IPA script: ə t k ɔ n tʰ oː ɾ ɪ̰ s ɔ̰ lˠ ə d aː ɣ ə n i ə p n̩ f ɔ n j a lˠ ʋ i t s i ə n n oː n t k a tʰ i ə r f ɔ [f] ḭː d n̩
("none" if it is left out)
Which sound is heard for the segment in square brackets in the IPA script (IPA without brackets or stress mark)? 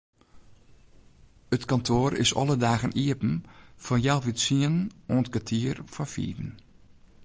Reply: f